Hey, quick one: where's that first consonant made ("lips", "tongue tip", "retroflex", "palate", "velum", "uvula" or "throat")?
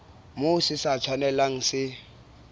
lips